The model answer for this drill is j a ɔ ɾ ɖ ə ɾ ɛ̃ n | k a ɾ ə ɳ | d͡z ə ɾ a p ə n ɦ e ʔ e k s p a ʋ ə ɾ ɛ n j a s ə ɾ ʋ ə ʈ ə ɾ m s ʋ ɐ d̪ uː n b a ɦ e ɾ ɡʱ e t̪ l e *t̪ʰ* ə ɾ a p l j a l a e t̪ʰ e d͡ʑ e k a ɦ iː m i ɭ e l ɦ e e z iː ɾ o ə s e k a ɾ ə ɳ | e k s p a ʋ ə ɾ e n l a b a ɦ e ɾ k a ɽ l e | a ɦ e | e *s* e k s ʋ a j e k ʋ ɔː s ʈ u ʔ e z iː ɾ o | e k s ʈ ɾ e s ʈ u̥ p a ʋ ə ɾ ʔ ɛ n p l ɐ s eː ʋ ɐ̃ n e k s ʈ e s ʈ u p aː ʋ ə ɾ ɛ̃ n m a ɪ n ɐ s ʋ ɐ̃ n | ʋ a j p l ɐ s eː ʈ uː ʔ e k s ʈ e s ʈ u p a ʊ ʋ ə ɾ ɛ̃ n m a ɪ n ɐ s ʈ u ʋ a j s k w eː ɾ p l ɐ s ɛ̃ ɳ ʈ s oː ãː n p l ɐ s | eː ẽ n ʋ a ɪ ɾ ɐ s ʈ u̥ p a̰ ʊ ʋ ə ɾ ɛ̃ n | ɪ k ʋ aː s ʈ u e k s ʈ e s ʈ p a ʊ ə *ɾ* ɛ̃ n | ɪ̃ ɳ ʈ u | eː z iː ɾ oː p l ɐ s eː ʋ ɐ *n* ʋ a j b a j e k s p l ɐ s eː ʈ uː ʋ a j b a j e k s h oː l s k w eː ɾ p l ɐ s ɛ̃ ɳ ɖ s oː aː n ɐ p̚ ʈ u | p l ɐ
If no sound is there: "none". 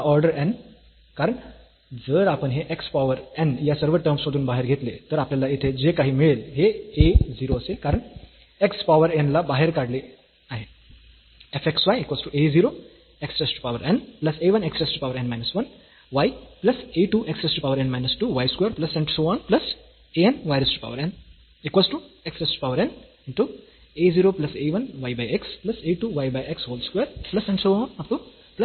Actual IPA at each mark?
t̪, f, ɾ, n

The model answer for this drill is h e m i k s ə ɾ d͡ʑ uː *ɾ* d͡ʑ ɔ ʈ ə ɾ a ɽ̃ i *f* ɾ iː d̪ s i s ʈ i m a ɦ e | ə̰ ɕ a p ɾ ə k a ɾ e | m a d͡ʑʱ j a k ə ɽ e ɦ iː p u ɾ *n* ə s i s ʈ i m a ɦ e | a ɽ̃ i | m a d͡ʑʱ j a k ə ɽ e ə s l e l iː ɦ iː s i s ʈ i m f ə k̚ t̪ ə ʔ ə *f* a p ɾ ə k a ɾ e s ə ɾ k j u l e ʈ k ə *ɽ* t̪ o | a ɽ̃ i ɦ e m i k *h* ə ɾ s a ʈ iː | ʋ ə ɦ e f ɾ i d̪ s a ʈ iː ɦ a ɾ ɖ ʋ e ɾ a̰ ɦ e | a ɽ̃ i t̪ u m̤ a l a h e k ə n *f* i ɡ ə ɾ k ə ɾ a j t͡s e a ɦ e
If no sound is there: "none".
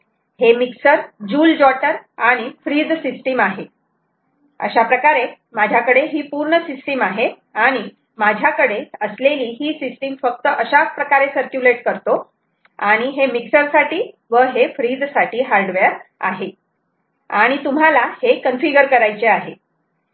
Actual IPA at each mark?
l, f, ɳ, ɕ, ɾ, s, f

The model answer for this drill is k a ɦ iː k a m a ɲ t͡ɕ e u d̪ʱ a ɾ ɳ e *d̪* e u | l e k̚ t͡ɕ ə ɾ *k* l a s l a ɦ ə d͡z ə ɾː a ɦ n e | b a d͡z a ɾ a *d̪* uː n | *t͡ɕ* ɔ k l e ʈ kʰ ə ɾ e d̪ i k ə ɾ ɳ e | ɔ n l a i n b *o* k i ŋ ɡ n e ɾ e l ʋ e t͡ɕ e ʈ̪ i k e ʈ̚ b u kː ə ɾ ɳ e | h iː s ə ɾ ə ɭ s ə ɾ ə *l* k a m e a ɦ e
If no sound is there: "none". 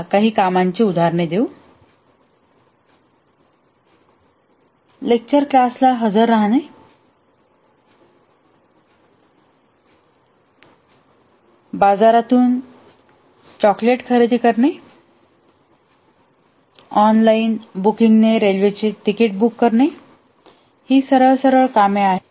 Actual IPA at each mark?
d̪, k, t̪, t͡ɕ, u, ɭ

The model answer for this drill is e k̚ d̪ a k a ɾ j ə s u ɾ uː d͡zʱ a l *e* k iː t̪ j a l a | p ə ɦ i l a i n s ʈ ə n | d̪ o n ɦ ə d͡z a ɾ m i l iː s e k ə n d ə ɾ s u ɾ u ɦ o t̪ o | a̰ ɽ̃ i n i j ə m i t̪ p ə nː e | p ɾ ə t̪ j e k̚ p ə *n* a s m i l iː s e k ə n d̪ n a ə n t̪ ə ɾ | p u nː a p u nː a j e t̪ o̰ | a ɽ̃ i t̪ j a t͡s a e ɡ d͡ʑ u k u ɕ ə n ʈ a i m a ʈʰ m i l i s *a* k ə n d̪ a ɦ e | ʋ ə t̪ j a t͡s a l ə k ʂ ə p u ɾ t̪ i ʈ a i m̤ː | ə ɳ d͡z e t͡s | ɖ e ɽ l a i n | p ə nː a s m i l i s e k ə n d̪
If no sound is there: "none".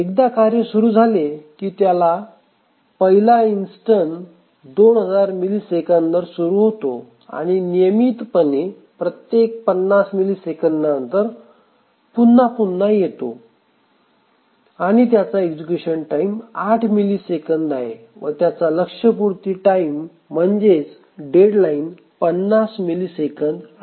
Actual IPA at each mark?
e, nː, e

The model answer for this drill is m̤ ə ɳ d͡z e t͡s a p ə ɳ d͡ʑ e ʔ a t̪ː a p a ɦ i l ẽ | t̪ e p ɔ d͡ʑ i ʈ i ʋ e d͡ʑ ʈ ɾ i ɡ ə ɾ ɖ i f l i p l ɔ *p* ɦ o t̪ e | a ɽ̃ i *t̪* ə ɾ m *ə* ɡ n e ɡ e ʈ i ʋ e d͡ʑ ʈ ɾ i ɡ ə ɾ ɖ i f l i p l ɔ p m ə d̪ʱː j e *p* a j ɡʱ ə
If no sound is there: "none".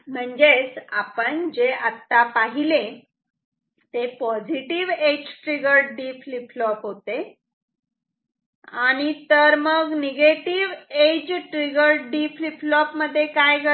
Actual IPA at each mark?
p, t̪, ə, k

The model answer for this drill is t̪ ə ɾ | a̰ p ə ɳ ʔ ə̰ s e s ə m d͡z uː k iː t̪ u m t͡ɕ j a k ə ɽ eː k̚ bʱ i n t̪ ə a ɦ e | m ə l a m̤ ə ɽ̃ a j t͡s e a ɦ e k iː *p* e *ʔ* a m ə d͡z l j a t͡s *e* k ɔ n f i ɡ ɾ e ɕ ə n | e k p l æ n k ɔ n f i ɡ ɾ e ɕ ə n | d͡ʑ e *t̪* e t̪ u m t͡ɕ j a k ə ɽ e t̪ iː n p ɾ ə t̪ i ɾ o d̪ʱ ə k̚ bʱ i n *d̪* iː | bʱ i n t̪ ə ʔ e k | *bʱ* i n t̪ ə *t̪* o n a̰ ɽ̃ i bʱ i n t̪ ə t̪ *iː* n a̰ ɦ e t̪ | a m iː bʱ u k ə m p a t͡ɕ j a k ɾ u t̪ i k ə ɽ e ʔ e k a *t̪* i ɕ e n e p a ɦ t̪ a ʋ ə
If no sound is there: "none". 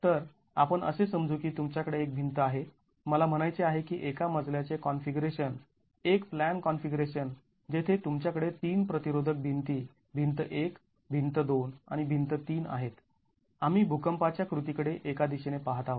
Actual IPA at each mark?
ʔ, k, e, t̪ʰ, t̪, bʱ, d̪, iː, d̪

